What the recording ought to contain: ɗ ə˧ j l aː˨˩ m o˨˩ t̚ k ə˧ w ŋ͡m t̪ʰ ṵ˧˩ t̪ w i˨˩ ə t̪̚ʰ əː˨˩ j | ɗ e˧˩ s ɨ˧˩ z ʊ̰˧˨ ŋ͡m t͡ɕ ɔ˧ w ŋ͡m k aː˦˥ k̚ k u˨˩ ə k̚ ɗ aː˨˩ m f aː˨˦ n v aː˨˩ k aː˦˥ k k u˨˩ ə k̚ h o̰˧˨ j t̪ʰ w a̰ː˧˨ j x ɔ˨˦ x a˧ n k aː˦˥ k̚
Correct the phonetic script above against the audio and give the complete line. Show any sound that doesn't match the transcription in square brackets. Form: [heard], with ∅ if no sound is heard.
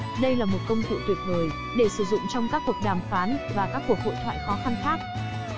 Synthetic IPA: ɗ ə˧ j l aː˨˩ m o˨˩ t̚ k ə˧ w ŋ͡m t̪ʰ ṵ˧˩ t̪ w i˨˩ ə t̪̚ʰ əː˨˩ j | ɗ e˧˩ s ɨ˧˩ z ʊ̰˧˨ ŋ͡m t͡ɕ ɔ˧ w ŋ͡m k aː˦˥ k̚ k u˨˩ ə k̚ ɗ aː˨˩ m f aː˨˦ n v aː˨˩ k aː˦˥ k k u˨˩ ə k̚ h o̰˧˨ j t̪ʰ w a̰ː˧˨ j x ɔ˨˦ x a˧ n [x] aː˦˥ k̚

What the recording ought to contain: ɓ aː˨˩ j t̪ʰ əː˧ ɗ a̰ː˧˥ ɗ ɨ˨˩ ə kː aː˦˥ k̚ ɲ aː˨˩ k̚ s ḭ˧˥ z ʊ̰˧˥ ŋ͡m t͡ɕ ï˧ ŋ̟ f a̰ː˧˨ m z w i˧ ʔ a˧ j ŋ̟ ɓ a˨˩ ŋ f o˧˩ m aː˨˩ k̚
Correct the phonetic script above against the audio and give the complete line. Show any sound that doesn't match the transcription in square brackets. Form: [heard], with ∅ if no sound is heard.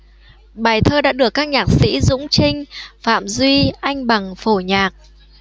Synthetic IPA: ɓ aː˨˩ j t̪ʰ əː˧ ɗ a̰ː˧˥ ɗ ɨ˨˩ ə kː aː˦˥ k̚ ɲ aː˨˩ k̚ s ḭ˧˥ z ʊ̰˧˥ ŋ͡m t͡ɕ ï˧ ŋ̟ f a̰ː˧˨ m z w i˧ ʔ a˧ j ŋ̟ ɓ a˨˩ ŋ f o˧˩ [ɲ] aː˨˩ k̚

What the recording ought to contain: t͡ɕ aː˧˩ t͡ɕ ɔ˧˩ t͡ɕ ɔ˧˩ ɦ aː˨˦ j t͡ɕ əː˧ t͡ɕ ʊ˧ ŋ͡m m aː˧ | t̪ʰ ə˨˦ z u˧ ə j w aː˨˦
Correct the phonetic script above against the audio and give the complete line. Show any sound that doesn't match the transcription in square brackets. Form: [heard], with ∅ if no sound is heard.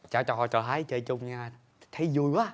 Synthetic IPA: t͡ɕ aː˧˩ t͡ɕ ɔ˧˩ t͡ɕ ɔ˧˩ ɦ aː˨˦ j t͡ɕ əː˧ t͡ɕ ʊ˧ ŋ͡m [ɲ] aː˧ | t̪ʰ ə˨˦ z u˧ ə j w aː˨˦

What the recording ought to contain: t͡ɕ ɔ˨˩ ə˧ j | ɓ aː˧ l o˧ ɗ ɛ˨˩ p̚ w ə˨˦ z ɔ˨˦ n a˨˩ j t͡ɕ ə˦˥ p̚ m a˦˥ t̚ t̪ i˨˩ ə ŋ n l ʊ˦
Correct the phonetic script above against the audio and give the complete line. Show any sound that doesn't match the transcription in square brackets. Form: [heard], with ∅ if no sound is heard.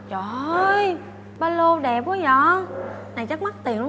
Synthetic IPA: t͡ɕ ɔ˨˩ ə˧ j | ɓ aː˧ l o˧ ɗ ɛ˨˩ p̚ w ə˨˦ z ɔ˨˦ n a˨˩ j t͡ɕ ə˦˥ [k̚] m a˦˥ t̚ t̪ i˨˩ ə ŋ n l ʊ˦

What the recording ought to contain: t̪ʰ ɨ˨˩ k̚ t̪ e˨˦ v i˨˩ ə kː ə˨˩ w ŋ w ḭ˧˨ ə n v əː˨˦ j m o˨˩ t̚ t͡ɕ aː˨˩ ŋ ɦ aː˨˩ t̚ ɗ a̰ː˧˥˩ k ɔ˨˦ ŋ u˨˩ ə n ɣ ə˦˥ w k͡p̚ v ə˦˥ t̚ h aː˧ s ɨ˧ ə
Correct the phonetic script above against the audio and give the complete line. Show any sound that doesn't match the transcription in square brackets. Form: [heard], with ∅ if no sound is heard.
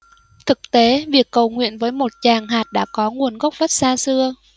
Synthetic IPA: t̪ʰ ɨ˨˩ k̚ t̪ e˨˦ v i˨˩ ə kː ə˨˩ w ŋ w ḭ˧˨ ə n v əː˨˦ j m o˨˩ t̚ t͡ɕ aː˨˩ ŋ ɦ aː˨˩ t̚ ɗ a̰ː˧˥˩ k ɔ˨˦ ŋ u˨˩ ə n ɣ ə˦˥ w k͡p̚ v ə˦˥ t̚ [s] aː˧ s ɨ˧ ə

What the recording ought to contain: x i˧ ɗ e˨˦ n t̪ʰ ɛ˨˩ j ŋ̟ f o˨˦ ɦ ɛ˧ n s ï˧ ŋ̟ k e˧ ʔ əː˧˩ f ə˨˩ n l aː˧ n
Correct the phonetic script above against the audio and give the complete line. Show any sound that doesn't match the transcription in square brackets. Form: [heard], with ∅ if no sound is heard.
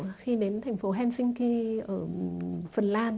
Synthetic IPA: x i˧ ɗ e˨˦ n t̪ʰ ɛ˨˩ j ŋ̟ f o˨˦ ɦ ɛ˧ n s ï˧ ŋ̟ k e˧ ʔ əː˧˩ f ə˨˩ n l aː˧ n

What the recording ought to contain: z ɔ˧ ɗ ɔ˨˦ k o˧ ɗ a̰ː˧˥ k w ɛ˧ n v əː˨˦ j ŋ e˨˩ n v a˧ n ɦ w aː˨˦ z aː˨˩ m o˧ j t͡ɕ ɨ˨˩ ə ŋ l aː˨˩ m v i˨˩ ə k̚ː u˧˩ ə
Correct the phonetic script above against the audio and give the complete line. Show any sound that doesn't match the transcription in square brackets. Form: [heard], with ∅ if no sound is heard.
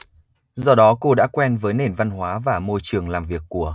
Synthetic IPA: z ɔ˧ ɗ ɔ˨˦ k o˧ ɗ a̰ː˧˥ k w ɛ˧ n v əː˨˦ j [n] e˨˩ n v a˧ n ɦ w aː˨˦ [v] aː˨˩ m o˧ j t͡ɕ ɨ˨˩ ə ŋ l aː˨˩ m v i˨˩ ə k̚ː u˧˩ ə

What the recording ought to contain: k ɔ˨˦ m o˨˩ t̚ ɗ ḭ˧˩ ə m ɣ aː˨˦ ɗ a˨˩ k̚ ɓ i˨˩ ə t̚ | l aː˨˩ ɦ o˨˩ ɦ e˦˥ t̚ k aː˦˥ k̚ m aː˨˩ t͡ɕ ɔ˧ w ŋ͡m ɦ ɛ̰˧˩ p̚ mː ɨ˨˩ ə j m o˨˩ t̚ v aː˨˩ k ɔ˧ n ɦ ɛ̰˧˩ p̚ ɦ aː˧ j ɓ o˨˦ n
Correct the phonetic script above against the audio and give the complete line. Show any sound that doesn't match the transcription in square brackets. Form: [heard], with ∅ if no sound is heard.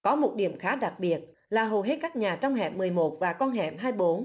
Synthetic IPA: k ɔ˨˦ m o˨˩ t̚ ɗ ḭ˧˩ ə m [x] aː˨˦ ɗ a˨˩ k̚ ɓ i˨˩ ə t̚ | l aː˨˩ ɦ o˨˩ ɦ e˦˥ t̚ k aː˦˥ k̚ [ɲ] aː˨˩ t͡ɕ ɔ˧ w ŋ͡m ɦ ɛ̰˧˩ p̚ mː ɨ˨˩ ə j m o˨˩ t̚ v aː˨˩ k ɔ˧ n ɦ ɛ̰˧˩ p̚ ɦ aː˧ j ɓ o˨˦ n

